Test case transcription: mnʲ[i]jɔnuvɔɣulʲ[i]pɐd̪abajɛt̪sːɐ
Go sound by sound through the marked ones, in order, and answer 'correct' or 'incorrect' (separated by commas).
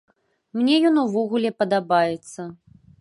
incorrect, incorrect